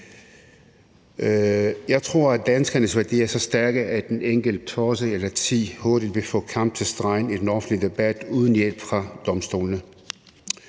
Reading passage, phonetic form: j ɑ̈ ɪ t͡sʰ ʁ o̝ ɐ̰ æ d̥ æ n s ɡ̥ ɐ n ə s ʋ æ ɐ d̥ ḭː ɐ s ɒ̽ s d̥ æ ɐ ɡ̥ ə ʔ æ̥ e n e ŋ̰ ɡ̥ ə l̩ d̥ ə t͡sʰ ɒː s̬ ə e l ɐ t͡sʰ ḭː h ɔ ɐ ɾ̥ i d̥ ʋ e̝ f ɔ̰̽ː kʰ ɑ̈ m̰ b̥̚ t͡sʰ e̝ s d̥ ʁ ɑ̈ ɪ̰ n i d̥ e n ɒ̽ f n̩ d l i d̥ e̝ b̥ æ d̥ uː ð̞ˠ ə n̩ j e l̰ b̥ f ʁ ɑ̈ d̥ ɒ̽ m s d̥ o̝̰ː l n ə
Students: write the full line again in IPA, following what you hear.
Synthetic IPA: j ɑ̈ ɪ t͡sʰ ʁ o̝ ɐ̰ æ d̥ æ n s ɡ̥ ɐ n ə s ʋ æ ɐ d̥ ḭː ɐ s ɒ̽ s d̥ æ ɐ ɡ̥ ə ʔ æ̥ e n e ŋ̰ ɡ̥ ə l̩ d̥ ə t͡sʰ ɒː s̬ ə e l ɐ t͡sʰ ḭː h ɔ ɐ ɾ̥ i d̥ ʋ e̝ f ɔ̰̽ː kʰ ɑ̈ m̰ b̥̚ t͡sʰ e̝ s d̥ ʁ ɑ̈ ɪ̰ n i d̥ e n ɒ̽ f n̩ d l i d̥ e̝ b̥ æ d̥ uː ð̞ˠ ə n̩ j e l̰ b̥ f ʁ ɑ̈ d̥ ɒ̽ m s d̥ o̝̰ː l n ə